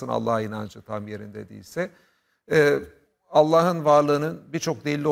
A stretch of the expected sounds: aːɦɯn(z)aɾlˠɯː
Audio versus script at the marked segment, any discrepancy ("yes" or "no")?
yes